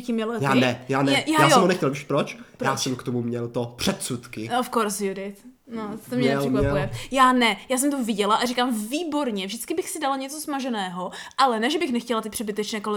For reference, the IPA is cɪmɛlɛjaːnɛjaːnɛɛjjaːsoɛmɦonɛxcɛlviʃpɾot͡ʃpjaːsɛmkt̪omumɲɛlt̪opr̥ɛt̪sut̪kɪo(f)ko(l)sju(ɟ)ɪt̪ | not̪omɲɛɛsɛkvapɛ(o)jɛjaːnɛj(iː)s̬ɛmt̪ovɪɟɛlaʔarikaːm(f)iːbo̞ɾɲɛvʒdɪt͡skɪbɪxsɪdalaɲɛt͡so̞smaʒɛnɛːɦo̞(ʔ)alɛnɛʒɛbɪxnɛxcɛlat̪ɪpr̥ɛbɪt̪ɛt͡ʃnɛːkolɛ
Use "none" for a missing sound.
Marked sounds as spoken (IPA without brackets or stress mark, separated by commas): f, ɾ, d, u, aː, v, ʔ